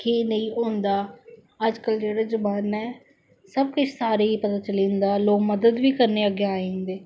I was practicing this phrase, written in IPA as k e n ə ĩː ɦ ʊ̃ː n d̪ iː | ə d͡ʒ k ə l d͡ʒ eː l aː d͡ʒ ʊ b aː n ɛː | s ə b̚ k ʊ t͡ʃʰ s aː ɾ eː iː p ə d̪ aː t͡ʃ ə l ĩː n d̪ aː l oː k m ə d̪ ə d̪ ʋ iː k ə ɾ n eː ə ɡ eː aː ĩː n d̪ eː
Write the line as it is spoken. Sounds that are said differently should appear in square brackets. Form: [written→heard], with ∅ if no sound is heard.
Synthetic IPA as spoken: k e n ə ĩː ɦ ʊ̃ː n d̪ [iː→aː] | ə d͡ʒ k ə l d͡ʒ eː [l→ɽ] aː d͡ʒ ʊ b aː n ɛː | s ə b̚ k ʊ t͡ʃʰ s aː ɾ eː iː p ə [d̪→t̪] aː t͡ʃ ə l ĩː n d̪ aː l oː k m ə d̪ ə d̪ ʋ iː k ə ɾ n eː ə ɡ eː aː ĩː n d̪ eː